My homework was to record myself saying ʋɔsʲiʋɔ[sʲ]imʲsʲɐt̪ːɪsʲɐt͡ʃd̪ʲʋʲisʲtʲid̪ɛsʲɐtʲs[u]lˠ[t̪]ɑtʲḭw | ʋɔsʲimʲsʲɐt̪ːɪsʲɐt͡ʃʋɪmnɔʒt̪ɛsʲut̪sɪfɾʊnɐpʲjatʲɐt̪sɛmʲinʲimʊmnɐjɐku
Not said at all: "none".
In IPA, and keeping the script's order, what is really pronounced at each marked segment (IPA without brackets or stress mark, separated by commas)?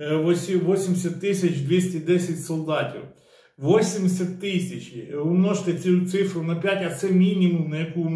sʲ, ɔ, d̪